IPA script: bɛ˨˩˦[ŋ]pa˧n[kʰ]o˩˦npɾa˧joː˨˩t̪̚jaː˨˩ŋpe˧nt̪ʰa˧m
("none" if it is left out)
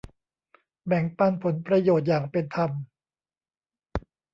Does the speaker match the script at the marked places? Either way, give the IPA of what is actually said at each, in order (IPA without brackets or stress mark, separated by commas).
ŋ, pʰ